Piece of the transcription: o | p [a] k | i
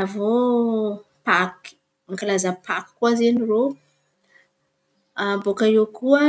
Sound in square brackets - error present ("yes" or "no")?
no